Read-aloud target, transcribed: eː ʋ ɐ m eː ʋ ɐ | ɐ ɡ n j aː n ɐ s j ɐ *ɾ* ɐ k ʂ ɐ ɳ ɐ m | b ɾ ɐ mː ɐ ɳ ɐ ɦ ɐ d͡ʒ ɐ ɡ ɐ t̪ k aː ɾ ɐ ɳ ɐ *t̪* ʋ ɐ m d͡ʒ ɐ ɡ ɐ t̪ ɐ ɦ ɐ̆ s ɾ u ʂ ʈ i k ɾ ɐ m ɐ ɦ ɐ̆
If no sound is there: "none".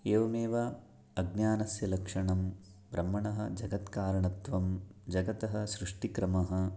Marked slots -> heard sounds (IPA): l, t̪

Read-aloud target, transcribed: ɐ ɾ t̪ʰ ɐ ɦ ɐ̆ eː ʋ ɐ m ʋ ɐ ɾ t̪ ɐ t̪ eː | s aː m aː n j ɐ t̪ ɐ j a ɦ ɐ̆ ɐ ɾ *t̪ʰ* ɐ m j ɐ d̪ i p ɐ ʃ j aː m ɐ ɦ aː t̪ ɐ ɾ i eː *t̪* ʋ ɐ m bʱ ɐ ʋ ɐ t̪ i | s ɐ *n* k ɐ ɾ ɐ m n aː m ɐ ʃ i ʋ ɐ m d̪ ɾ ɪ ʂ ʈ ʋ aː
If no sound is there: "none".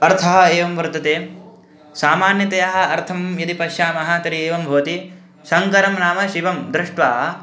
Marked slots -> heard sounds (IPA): t̪ʰ, none, ŋ

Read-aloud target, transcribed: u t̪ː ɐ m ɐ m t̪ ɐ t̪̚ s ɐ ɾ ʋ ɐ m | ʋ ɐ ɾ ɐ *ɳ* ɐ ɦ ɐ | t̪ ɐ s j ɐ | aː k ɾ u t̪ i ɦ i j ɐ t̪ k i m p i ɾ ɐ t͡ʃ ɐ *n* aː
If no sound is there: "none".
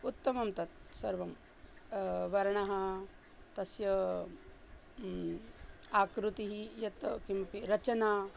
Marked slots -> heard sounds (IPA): ɳ, n

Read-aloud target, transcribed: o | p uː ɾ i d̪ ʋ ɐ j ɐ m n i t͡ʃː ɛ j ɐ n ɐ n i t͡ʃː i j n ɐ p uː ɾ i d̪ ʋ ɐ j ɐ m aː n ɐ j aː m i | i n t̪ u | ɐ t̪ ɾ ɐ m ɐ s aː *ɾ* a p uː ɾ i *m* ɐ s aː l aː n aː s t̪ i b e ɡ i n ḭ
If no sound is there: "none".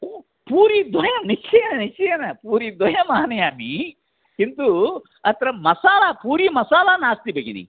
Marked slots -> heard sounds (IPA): l, m

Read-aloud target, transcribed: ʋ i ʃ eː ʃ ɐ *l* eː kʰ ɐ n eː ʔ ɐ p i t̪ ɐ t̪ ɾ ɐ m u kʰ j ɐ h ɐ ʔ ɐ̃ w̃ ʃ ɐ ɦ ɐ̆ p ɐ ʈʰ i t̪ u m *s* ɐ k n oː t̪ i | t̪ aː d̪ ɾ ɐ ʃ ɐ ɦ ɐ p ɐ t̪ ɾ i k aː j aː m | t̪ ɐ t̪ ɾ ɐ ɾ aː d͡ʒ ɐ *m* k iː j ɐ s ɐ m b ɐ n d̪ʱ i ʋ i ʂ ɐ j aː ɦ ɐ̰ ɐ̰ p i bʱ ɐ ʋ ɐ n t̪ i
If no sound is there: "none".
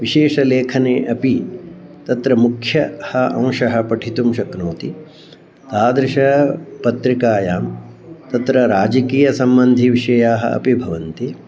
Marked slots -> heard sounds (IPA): l, ʃ, none

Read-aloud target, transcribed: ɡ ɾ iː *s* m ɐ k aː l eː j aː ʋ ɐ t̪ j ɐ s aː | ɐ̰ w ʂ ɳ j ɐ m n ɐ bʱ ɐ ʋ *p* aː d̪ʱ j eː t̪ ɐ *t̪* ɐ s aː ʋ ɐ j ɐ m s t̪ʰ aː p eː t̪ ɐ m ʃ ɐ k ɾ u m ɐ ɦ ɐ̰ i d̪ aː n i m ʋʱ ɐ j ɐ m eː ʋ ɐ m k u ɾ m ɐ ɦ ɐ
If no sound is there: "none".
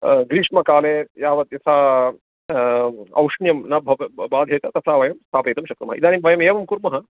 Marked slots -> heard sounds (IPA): ʂ, b, t̪

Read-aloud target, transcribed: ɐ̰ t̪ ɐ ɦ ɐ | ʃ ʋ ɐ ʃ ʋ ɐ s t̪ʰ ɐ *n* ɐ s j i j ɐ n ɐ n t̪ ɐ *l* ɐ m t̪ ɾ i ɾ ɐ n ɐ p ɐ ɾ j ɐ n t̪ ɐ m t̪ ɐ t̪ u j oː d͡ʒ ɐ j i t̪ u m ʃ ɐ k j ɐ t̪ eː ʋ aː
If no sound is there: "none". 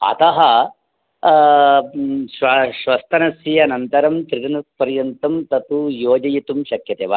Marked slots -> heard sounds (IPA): n, ɾ

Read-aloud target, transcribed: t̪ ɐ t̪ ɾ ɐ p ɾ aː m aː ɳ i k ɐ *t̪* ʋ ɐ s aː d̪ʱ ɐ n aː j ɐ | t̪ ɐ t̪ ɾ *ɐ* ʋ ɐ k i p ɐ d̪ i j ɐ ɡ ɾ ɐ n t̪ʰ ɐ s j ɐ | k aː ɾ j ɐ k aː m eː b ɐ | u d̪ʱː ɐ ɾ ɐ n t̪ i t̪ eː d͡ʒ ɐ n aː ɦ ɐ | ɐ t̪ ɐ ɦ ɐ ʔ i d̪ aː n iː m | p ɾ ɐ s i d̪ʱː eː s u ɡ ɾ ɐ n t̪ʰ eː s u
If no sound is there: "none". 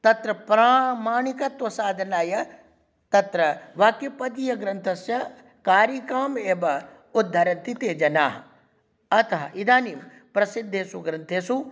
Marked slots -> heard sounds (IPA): t̪, ɐ

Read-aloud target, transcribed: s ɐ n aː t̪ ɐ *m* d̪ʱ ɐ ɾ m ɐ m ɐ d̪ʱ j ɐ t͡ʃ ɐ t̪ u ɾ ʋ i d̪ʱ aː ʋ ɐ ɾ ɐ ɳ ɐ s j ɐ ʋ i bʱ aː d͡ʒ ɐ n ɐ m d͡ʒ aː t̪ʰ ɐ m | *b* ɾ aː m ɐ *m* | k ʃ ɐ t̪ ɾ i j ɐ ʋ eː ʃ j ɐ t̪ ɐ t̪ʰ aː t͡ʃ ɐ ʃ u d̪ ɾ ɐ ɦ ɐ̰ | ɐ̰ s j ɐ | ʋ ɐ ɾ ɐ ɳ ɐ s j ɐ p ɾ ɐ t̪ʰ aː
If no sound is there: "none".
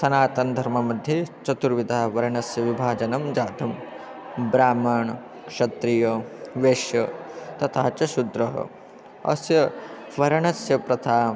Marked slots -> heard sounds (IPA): n, b, ɳ

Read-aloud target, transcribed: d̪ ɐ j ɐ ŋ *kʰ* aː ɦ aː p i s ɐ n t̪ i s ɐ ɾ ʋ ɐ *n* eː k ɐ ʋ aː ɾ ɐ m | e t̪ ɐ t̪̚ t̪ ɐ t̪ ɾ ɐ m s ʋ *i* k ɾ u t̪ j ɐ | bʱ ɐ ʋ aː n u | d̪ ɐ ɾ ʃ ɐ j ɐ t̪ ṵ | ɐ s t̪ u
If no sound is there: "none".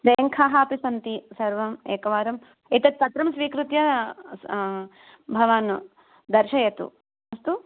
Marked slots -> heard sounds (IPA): kʰ, m, iː

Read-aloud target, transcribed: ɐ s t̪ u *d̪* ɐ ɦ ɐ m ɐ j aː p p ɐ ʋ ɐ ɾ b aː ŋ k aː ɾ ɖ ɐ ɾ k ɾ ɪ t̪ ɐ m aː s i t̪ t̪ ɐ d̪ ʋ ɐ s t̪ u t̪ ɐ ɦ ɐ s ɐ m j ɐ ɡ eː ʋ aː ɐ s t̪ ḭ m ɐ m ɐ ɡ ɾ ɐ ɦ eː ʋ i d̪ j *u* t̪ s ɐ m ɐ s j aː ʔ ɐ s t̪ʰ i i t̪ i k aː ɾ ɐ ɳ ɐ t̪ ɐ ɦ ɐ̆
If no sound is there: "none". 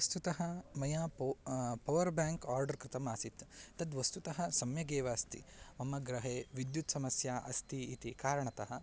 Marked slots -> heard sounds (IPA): t̪, u

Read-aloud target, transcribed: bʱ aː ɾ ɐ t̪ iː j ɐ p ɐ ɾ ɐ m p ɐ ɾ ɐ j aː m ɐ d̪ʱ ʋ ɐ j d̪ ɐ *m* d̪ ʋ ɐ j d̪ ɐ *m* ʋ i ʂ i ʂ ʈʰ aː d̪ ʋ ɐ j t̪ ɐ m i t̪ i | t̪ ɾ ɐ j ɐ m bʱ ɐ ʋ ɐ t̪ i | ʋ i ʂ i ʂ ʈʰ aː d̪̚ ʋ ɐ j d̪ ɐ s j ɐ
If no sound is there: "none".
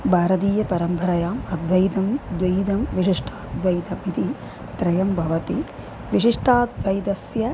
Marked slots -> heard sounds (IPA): m, m

